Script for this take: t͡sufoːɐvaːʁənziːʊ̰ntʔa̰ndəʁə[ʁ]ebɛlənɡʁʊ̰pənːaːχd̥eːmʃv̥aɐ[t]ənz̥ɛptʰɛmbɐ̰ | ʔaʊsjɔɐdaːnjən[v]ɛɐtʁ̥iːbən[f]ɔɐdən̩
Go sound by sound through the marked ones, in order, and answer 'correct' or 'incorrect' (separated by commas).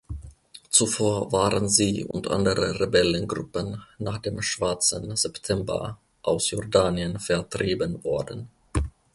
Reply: correct, incorrect, incorrect, incorrect